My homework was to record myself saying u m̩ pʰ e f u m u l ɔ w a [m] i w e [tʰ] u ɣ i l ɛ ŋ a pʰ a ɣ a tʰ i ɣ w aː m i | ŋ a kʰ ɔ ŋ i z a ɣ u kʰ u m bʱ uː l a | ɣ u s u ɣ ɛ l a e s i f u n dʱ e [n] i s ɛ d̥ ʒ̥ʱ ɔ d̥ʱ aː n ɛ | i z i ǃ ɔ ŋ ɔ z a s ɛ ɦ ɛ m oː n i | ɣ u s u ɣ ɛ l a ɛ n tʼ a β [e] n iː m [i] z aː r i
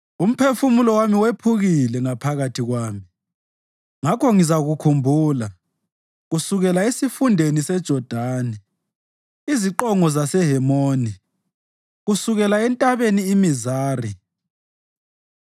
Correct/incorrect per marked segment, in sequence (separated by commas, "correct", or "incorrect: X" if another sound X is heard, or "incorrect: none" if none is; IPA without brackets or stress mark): correct, incorrect: pʰ, correct, correct, correct